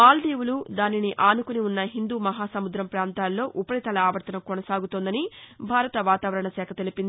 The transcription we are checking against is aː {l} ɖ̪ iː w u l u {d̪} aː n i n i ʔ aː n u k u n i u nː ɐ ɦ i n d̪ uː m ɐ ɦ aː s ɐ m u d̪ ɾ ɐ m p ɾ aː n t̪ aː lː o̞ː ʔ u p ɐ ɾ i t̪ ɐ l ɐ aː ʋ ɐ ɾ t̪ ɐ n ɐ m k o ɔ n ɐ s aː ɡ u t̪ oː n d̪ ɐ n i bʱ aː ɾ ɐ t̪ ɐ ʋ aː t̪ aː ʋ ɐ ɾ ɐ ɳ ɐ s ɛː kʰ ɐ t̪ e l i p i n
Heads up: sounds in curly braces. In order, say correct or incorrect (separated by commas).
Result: correct, correct